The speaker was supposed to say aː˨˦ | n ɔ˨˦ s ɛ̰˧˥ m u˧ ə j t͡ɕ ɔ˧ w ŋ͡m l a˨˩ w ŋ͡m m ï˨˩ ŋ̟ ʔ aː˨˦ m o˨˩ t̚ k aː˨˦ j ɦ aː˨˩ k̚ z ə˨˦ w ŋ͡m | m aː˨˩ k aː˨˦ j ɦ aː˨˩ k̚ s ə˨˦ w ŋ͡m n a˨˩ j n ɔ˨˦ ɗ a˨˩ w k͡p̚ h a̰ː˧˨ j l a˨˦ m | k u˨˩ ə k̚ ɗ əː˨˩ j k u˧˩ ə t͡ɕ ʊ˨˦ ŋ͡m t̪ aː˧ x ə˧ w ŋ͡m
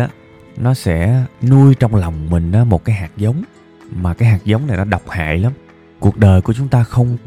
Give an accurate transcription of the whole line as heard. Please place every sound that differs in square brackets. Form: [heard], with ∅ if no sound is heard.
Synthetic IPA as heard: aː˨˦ | n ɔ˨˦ s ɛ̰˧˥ [n] u˧ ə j t͡ɕ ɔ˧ w ŋ͡m l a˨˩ w ŋ͡m m ï˨˩ ŋ̟ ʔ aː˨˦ m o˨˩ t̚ k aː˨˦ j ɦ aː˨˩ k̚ z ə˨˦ w ŋ͡m | m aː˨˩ k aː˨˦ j ɦ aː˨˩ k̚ [z] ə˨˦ w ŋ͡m n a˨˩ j n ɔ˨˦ ɗ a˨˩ w k͡p̚ h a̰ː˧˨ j l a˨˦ m | k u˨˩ ə k̚ ɗ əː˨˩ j k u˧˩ ə t͡ɕ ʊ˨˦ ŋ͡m t̪ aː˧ x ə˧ w ŋ͡m